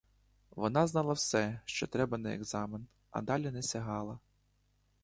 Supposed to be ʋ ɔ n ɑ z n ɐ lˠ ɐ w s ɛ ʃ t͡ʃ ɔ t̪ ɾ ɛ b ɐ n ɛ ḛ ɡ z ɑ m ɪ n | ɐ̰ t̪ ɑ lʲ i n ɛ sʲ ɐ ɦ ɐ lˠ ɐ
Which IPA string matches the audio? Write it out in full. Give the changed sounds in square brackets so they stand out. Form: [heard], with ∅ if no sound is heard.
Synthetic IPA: ʋ ɔ n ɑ z n [ɑ] lˠ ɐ w s ɛ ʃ t͡ʃ ɔ t̪ ɾ ɛ b ɐ n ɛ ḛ ɡ z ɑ m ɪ n | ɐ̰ [d̪] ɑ lʲ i n ɛ sʲ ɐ ɦ [ɑ] lˠ ɐ